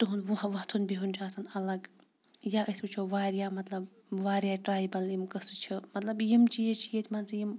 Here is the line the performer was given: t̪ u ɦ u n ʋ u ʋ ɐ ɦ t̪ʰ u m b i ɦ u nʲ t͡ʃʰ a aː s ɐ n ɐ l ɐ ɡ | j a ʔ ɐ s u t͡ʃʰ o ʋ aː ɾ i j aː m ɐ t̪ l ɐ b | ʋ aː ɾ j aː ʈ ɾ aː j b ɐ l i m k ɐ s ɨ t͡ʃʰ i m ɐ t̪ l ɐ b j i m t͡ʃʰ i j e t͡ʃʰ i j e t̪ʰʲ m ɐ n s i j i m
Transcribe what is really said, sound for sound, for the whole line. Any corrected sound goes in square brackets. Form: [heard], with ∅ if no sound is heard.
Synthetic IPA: t̪ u ɦ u n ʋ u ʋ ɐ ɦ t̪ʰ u [n] b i ɦ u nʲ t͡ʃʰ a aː s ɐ n ɐ l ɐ ɡ | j a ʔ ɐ s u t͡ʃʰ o ʋ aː ɾ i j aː m ɐ t̪ l ɐ b | ʋ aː ɾ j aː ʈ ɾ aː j b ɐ l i m k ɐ s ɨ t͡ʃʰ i m ɐ t̪ l ɐ b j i m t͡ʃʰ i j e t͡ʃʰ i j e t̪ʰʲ m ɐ n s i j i m

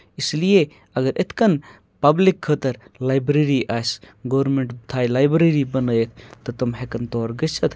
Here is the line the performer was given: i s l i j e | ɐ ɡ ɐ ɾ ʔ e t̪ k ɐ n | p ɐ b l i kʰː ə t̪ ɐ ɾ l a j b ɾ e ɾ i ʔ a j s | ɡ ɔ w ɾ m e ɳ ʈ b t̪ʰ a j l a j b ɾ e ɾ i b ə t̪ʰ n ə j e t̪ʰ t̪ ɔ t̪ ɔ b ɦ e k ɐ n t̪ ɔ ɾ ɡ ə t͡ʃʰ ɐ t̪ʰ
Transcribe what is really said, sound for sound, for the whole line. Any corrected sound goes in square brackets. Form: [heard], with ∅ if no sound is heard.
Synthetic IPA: i s l i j e | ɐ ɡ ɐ ɾ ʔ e t̪ k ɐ n | p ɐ b l i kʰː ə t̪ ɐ ɾ l a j b ɾ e ɾ i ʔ a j s | ɡ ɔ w ɾ m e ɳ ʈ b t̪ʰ a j l a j b ɾ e ɾ i b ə [∅] n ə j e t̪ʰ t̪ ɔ t̪ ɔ [m] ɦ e k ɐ n t̪ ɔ ɾ ɡ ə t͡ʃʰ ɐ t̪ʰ

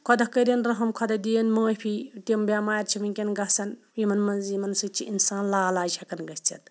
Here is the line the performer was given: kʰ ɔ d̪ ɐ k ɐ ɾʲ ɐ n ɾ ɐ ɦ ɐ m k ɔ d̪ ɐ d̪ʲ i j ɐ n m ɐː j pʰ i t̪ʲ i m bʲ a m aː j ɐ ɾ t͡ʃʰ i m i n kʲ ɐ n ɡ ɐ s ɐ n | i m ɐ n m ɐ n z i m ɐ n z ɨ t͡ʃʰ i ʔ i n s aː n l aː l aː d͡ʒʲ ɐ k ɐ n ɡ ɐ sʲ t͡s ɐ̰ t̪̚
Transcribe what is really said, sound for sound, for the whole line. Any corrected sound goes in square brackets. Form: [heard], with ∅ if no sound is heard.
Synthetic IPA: kʰ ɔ d̪ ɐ k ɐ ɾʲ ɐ n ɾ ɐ ɦ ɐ m [kʰ] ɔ d̪ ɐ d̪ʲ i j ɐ n m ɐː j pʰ i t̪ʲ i m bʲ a m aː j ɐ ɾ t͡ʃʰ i m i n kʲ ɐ n ɡ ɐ s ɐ n | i m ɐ n m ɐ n z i m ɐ n [s] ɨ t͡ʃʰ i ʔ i n s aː n l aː l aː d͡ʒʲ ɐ k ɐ n ɡ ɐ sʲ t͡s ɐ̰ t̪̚

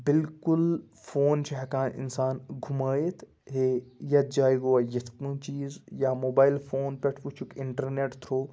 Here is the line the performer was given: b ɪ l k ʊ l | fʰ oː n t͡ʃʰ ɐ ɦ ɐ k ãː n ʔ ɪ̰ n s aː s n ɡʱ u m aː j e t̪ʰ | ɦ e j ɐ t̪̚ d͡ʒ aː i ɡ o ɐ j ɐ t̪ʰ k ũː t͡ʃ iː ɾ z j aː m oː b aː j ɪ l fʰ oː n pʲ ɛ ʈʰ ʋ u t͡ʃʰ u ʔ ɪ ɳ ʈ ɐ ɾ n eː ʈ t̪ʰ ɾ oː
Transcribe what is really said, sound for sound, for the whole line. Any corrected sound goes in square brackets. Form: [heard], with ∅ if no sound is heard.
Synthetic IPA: b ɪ l k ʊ l | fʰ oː n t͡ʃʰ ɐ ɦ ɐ k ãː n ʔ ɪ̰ n s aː [∅] n ɡʱ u m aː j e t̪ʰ | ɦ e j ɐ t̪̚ d͡ʒ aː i ɡ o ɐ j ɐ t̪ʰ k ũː t͡ʃ iː [∅] z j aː m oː b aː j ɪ l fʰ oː n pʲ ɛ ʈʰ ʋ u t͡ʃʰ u [k] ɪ ɳ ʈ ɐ ɾ n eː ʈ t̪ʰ ɾ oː

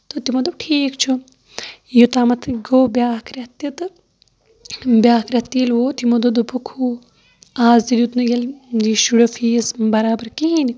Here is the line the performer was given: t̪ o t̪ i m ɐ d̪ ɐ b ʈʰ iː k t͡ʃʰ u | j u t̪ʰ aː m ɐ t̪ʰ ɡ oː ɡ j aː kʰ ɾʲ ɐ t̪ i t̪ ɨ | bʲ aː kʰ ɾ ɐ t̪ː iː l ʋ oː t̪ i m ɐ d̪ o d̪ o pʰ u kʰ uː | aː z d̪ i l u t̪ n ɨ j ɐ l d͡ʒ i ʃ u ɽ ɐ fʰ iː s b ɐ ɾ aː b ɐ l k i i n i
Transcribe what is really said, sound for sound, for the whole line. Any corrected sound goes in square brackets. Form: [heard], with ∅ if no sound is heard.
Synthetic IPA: t̪ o t̪ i m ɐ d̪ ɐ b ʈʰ iː k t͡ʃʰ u | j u [t̪] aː m ɐ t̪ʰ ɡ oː [b] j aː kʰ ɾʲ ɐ t̪ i t̪ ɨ | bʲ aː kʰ ɾ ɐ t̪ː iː l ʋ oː t̪ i m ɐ d̪ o d̪ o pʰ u kʰ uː | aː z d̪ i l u t̪ n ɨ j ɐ l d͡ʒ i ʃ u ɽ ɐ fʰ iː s b ɐ ɾ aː b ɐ [ɾ] k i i n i

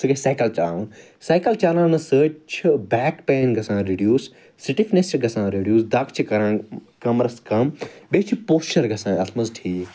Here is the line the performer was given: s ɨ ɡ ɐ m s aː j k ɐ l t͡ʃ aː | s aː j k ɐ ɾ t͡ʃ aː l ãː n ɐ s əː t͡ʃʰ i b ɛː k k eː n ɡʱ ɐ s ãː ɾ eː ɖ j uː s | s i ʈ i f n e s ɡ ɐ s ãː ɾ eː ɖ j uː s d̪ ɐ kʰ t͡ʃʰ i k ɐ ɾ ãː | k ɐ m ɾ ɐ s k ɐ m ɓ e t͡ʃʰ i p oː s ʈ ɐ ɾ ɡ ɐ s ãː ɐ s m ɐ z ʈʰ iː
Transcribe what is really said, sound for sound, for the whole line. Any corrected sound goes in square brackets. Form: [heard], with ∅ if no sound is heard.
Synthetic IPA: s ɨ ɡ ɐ [∅] s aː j k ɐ l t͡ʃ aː | s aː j k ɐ [l] t͡ʃ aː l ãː n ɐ s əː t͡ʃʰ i b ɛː k [p] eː n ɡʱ ɐ s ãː ɾ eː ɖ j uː s | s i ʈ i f n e s ɡ ɐ s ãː ɾ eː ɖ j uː s d̪ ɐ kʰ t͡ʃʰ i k ɐ ɾ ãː | k ɐ m ɾ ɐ s k ɐ m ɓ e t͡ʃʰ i p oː s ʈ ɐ ɾ ɡ ɐ s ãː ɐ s m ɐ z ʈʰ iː

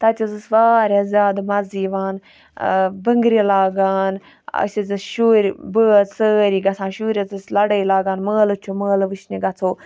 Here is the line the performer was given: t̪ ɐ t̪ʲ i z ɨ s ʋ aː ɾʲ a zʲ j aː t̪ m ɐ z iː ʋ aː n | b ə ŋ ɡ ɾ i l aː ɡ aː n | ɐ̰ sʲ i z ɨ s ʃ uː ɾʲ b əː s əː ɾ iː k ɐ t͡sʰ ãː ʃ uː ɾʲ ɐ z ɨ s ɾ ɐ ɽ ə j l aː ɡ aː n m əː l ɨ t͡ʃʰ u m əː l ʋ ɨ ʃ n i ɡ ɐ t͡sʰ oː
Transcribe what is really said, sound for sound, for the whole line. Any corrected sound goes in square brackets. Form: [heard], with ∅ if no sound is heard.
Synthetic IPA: t̪ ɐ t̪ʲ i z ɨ s ʋ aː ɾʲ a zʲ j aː [d̪] m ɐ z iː ʋ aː n | b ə ŋ ɡ ɾ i l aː ɡ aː n | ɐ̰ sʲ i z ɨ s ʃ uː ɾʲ b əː s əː ɾ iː [ɡ] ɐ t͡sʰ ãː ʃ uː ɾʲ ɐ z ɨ s [l] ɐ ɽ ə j l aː ɡ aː n m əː l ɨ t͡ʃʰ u m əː l ʋ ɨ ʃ n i ɡ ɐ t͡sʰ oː

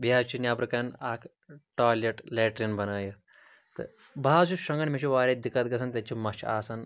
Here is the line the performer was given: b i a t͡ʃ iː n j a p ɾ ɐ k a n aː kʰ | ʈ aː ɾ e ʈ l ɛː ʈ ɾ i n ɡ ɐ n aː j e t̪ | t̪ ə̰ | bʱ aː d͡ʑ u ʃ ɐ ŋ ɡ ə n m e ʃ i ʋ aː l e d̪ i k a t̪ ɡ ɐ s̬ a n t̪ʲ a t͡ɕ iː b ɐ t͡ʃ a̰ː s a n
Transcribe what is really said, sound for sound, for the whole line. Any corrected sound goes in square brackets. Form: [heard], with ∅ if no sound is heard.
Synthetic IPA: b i a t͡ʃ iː n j a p ɾ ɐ k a n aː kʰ | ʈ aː [l] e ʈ l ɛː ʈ ɾ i n [b] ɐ n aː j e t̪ | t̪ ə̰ | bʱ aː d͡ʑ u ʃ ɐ ŋ ɡ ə n m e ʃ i ʋ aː [ɾ] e d̪ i k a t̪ ɡ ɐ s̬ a n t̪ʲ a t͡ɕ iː [m] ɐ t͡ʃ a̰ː s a n

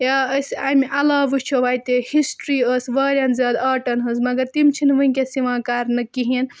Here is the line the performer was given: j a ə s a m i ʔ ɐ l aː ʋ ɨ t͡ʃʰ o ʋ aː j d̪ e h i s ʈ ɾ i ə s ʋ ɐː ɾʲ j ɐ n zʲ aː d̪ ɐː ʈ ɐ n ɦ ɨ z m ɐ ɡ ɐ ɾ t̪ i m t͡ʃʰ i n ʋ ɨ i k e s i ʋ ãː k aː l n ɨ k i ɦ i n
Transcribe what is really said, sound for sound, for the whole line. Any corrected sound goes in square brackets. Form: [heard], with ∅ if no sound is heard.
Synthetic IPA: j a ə s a m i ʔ ɐ l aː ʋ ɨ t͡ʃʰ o ʋ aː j [t̪] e h i s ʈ ɾ i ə s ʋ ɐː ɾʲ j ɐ n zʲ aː d̪ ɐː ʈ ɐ n ɦ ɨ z m ɐ ɡ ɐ ɾ t̪ i m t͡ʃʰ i n ʋ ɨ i k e s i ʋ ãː k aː [ɾ] n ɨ k i ɦ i n

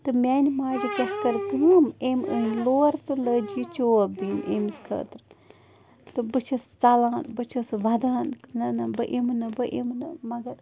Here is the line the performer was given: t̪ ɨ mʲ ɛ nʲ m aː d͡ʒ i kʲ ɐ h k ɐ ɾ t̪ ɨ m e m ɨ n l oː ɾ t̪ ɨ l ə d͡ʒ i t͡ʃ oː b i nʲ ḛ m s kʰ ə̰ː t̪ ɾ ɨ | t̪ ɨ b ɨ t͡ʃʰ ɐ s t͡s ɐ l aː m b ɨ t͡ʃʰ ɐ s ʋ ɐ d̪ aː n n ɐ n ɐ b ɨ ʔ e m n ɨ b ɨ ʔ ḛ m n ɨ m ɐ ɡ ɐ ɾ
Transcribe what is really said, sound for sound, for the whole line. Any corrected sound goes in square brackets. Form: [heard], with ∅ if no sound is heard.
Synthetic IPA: t̪ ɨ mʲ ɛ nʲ m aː d͡ʒ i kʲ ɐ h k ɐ ɾ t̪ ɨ m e m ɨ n l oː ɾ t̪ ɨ l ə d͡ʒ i t͡ʃ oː b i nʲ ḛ m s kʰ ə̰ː t̪ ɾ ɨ | t̪ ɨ b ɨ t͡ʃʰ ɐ s t͡s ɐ l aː [n] b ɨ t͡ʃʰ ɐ s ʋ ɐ d̪ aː n n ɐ n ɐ b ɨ ʔ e m n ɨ b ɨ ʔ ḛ m n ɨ m ɐ ɡ ɐ ɾ

